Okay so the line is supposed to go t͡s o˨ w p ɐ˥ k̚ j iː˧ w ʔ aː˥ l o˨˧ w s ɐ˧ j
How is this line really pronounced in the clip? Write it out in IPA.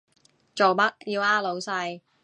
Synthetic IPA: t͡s o˨ w p ɐ˥ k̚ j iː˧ w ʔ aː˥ l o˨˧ w s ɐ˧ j